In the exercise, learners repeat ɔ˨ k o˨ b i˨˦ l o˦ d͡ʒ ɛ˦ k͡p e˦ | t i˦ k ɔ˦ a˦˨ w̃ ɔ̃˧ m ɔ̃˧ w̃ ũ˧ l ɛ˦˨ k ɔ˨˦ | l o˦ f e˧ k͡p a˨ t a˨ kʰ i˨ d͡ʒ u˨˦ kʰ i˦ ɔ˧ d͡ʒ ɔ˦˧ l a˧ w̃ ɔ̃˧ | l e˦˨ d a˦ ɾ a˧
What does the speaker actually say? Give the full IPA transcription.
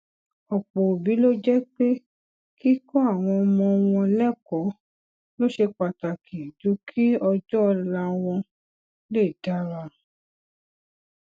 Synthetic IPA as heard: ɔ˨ k͡p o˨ b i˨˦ l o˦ d͡ʒ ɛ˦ k͡p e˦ | k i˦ k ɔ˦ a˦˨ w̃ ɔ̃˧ m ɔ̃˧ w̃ ɔ̃˧ l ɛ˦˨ k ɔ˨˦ | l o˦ ʃ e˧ k͡p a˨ t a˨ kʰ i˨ d͡ʒ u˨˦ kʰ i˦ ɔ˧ d͡ʒ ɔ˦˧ l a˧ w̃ ɔ̃˧ | l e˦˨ d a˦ ɾ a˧